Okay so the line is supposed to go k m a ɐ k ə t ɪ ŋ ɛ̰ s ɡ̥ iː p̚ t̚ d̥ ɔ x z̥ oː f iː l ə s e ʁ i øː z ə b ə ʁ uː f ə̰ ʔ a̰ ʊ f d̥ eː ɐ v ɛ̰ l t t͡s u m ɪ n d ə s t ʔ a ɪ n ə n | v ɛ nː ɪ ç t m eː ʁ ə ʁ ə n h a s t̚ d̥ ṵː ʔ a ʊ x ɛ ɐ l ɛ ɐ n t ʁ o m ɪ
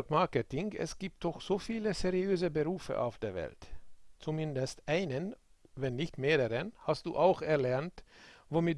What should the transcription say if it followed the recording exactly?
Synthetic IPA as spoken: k m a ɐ k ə t ɪ ŋ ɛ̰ s ɡ̥ iː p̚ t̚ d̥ ɔ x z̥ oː f iː l ə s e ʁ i øː z ə b ə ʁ uː f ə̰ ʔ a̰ ʊ f d̥ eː ɐ v ɛ̰ l t t͡s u m ɪ n d ə s t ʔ a ɪ n ə n | v ɛ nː ɪ ç t m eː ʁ ə ʁ ə n h a s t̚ d̥ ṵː ʔ a ʊ x ɛ ɐ l ɛ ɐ n t v o m ɪ